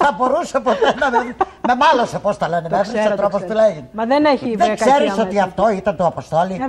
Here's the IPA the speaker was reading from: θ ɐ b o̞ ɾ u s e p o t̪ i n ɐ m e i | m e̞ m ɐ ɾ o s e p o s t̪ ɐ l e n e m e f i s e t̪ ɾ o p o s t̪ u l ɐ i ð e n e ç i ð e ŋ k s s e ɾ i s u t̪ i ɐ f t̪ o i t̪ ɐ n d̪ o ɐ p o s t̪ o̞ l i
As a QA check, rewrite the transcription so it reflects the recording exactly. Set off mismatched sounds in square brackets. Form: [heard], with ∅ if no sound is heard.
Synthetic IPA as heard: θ ɐ b o̞ ɾ u s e p o t̪ [e] n ɐ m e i | m e̞ m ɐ [l] o s e p o s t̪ ɐ l e n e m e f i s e t̪ ɾ o p o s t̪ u l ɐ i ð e n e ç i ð e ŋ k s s e ɾ i s [o] t̪ i ɐ f t̪ o i t̪ ɐ n [t̪] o ɐ p o s t̪ o̞ l i